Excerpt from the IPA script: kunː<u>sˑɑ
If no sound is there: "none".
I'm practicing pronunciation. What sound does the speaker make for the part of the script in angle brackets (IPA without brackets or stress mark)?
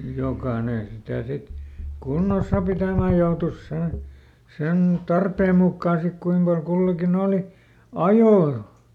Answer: o